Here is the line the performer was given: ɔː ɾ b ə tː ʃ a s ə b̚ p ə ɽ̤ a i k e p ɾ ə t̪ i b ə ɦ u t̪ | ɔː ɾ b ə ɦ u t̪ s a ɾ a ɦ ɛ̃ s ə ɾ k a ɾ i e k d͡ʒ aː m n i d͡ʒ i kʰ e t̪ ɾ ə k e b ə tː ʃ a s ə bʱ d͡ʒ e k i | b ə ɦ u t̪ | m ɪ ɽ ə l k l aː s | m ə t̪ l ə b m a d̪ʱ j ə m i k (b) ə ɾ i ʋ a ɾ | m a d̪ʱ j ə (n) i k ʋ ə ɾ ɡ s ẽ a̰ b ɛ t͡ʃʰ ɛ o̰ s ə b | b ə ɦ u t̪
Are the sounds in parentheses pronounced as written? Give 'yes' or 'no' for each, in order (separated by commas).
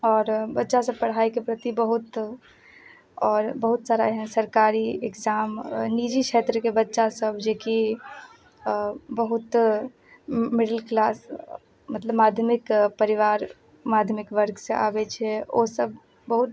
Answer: no, no